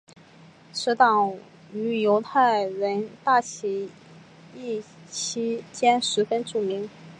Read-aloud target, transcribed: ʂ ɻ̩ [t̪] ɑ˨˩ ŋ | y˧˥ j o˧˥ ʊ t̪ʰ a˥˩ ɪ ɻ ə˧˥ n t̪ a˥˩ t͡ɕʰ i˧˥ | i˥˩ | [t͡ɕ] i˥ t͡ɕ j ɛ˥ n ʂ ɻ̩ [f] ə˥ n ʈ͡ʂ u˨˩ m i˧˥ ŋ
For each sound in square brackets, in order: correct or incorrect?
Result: correct, incorrect, correct

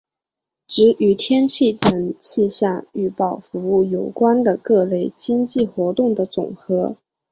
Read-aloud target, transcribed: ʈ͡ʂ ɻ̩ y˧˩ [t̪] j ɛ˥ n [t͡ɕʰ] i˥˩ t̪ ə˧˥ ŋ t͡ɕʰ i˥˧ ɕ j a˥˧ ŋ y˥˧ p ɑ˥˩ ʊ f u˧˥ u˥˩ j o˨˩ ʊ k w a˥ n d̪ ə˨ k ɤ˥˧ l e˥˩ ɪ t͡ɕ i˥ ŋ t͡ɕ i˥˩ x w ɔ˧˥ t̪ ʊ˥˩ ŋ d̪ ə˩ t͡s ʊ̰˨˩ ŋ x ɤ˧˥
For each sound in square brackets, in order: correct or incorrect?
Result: incorrect, correct

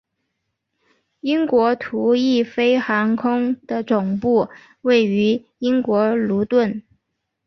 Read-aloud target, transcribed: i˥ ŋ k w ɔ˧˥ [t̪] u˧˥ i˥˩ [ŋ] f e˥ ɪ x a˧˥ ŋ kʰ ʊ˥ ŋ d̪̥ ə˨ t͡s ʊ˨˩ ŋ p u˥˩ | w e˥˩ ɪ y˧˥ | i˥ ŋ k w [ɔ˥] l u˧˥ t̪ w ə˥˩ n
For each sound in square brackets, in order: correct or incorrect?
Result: incorrect, incorrect, incorrect

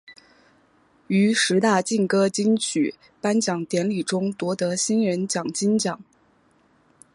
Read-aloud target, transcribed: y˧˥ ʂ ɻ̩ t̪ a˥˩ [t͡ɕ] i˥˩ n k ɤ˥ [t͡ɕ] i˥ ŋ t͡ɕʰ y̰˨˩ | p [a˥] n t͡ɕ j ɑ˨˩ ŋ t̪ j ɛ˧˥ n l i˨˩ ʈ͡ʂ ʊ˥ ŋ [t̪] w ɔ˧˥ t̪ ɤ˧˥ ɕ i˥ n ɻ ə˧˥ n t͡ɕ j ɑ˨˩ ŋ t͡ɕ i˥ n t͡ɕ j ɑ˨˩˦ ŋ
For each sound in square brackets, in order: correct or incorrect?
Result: correct, correct, correct, correct

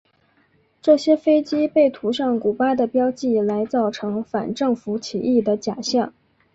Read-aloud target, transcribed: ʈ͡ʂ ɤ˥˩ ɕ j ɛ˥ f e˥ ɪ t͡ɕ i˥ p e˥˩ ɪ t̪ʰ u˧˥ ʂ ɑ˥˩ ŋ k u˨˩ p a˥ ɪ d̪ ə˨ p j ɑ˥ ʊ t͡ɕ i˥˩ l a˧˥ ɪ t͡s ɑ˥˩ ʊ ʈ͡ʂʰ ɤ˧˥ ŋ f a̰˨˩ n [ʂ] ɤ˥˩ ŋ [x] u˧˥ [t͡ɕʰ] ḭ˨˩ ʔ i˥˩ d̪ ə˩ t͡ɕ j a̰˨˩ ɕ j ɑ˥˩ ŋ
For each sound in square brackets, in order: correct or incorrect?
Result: incorrect, incorrect, correct

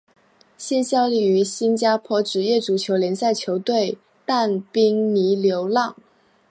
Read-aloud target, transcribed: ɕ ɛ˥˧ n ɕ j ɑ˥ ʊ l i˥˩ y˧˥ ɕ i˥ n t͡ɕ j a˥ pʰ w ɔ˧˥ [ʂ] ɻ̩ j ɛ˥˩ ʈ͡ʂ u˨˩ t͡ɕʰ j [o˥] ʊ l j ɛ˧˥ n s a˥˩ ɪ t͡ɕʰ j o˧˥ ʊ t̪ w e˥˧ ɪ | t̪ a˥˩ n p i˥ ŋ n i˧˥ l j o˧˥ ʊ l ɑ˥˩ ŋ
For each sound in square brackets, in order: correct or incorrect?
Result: incorrect, incorrect

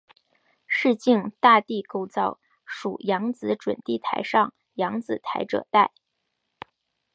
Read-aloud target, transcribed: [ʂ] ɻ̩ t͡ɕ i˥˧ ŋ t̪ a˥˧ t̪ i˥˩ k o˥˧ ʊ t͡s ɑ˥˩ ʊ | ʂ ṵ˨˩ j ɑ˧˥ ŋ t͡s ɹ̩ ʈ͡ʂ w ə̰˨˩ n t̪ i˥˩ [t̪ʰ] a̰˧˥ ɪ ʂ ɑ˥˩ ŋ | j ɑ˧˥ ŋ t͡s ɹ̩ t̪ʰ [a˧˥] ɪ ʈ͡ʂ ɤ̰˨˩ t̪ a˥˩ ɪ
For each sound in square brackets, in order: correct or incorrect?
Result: correct, correct, correct

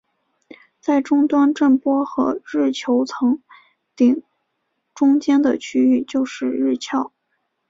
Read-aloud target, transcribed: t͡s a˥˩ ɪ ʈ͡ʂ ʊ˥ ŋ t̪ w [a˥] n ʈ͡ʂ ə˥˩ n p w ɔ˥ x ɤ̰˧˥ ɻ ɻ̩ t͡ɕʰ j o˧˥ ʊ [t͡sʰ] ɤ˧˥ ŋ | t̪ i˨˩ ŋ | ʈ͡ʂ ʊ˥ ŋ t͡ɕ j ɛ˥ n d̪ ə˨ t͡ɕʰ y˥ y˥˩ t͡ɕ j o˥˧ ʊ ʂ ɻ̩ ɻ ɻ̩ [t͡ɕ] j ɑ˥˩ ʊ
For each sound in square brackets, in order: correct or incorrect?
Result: correct, correct, incorrect

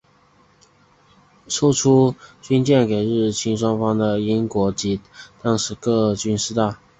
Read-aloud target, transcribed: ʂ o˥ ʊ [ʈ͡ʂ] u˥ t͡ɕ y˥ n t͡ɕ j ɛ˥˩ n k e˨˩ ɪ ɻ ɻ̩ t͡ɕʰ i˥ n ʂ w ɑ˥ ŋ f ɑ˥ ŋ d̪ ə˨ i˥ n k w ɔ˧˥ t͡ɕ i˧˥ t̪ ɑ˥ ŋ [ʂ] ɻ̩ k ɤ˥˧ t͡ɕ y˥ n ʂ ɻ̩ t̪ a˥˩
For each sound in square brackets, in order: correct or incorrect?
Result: incorrect, correct

